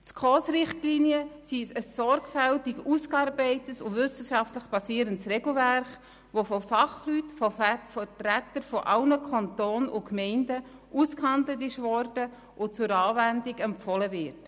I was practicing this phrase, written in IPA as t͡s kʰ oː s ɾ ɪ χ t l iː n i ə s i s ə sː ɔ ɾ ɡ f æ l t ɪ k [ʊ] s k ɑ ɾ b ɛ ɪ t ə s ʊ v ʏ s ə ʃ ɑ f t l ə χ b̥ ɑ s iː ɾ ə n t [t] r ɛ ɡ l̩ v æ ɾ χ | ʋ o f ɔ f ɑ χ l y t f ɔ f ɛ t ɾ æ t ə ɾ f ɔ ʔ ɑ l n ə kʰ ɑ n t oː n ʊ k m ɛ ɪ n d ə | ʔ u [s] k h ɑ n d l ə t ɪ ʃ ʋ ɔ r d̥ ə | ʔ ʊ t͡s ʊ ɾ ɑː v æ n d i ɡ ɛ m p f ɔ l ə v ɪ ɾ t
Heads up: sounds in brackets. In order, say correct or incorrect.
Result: incorrect: u, incorrect: s, correct

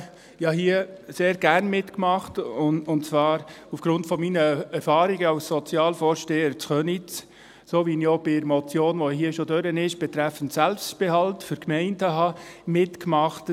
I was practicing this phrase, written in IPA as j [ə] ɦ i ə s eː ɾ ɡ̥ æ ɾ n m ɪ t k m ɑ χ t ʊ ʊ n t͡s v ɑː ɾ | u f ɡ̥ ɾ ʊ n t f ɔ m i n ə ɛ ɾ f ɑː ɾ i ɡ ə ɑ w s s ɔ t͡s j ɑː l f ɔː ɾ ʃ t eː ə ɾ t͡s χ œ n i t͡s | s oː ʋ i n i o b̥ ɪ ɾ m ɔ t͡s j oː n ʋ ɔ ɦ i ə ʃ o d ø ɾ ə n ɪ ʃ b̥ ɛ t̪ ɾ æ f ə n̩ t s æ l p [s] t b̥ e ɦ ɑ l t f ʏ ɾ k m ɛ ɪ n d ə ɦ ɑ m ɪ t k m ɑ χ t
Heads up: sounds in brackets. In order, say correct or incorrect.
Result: incorrect: ɑ, correct

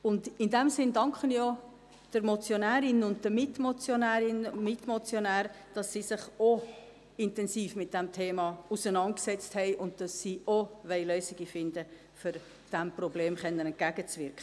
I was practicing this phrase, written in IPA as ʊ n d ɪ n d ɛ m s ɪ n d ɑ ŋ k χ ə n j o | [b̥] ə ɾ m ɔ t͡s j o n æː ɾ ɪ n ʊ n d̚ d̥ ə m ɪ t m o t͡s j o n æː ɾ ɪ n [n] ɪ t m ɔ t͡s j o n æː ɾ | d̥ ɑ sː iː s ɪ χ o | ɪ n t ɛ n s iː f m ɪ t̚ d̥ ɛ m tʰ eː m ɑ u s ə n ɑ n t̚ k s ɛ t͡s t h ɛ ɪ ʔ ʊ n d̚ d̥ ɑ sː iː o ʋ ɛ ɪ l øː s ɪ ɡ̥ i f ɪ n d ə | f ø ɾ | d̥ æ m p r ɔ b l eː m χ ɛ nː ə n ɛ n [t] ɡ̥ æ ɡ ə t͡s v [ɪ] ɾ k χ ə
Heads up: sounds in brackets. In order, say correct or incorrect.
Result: incorrect: d̥, incorrect: m, correct, correct

